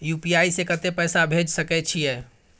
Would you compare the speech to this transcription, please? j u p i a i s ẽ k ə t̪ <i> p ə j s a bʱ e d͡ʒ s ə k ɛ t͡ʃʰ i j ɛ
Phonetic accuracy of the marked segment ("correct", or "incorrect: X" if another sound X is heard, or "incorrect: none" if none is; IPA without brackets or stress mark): incorrect: e